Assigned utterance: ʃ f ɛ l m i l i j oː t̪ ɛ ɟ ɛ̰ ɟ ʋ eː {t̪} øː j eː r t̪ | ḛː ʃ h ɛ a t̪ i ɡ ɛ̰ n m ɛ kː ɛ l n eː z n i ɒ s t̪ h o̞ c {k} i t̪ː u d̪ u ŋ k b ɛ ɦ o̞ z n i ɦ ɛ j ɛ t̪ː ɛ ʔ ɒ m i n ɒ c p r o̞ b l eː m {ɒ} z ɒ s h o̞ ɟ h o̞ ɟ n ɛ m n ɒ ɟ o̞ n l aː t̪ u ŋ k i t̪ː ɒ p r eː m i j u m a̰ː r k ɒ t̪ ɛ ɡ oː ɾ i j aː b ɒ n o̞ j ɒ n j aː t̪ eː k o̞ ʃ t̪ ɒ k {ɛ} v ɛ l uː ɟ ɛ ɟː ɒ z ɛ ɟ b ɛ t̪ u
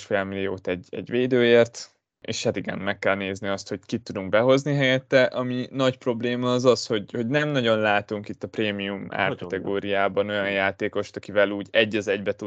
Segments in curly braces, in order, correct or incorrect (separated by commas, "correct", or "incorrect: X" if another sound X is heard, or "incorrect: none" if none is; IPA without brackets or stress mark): incorrect: d̪, correct, incorrect: ɒː, incorrect: i